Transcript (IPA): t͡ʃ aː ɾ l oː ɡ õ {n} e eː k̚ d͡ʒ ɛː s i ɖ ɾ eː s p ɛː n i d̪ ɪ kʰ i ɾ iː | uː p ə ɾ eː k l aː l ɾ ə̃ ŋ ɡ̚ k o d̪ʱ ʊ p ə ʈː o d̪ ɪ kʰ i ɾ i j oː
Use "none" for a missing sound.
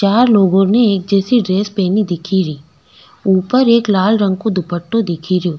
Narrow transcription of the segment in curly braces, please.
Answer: n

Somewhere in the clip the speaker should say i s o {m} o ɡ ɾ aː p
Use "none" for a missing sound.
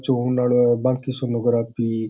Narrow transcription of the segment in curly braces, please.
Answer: n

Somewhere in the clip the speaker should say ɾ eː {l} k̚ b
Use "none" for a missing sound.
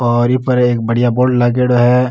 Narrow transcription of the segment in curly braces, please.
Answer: none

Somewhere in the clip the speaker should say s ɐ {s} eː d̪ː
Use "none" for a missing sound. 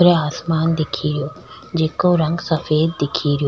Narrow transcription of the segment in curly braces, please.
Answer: f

